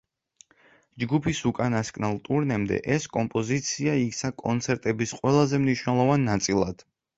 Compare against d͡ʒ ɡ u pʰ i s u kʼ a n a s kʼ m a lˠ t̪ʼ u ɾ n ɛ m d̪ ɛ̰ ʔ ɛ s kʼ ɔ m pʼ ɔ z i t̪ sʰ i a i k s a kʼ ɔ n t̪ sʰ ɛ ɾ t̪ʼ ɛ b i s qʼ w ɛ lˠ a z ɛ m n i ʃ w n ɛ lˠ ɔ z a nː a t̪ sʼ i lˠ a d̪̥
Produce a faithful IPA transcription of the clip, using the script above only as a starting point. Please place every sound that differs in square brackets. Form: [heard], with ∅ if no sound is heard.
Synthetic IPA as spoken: d͡ʒ ɡ u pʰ i s u kʼ a n a s kʼ [n] a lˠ t̪ʼ u ɾ n ɛ m d̪ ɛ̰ ʔ ɛ s kʼ ɔ m pʼ ɔ z i t̪ sʰ i a i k s a kʼ ɔ n t̪ sʰ ɛ ɾ t̪ʼ ɛ b i s qʼ w ɛ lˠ a z ɛ m n i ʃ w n ɛ lˠ ɔ [v] a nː a t̪ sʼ i lˠ a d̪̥

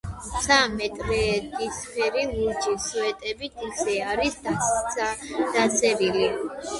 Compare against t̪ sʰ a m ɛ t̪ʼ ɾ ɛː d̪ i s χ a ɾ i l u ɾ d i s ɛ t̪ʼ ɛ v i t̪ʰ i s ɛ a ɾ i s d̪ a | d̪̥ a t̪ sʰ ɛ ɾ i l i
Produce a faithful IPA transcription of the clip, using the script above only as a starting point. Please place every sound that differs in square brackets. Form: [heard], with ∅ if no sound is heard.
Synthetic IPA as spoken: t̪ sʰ a m ɛ t̪ʼ ɾ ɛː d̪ i s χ [ɛ] ɾ i l u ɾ [d͡ʒ] i s ɛ t̪ʼ ɛ [b] i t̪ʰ i s ɛ a ɾ i s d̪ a | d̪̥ a t̪ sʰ ɛ ɾ i l i

